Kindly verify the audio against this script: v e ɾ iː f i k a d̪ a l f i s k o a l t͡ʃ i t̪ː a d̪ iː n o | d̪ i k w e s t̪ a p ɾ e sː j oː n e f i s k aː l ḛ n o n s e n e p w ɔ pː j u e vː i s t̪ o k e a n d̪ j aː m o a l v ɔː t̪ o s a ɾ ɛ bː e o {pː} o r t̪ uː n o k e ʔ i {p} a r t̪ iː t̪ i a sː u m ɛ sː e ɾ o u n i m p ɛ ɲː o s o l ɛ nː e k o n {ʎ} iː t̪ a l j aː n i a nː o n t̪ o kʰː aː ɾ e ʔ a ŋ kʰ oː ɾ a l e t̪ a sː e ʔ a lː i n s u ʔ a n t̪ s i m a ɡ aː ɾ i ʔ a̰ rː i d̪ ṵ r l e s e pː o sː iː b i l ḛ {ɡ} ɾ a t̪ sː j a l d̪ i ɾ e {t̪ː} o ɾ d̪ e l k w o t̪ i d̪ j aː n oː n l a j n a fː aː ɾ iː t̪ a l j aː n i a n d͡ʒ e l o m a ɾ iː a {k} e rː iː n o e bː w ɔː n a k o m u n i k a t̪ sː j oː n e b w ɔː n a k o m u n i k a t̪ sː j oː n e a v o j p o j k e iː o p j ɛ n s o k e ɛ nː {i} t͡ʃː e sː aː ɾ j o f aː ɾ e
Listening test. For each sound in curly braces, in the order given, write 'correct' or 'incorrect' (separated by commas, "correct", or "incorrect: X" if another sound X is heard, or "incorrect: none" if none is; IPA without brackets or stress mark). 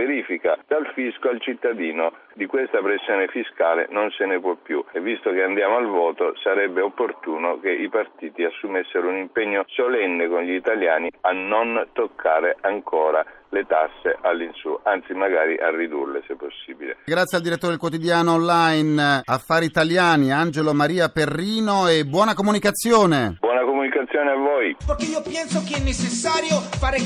correct, correct, correct, correct, correct, incorrect: p, incorrect: e